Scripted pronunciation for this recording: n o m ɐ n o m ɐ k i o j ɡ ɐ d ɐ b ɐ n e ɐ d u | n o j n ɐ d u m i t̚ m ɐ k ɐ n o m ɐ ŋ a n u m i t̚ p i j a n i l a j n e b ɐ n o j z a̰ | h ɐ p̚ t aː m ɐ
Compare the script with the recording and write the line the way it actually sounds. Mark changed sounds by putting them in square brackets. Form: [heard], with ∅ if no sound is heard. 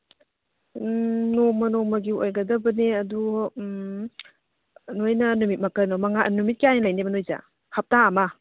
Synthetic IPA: n o m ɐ n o m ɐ [ɡ] i o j ɡ ɐ d ɐ b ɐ n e ɐ d u | n o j n ɐ [n] u m i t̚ m ɐ k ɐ n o m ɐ ŋ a n u m i t̚ [k] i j a n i l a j n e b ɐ n o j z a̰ | h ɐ p̚ t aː m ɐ

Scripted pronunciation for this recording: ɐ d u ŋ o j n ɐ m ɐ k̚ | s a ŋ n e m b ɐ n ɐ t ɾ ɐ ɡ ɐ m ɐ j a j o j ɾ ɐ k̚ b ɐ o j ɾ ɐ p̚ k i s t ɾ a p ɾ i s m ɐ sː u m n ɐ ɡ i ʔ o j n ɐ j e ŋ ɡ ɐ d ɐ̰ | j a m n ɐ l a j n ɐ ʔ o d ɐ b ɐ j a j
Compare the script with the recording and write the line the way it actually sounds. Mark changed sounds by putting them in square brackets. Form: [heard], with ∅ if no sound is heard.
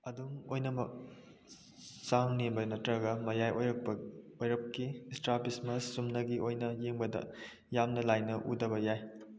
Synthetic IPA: ɐ d u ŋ o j n ɐ m ɐ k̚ | s a ŋ n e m b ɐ n ɐ t ɾ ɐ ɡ ɐ m ɐ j a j o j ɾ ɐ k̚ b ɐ o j ɾ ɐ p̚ k i s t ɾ a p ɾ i s m ɐ sː u m n ɐ ɡ i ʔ o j n ɐ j e ŋ [b] ɐ d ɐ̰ | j a m n ɐ l a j n ɐ ʔ [u] d ɐ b ɐ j a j

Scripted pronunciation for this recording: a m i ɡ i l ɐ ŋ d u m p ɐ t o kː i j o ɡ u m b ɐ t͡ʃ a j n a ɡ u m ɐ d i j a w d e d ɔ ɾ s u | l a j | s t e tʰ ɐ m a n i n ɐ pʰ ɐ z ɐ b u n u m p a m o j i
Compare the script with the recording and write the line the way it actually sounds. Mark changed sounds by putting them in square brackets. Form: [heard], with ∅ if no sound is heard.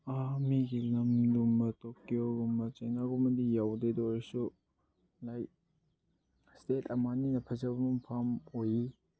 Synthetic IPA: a m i ɡ i l ɐ [m] d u m [b] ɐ t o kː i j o ɡ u m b ɐ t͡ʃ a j n a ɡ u m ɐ d i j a w d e d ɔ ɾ s u | l a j | s t e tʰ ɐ m a n i n ɐ pʰ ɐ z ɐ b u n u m [pʰ] a m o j i

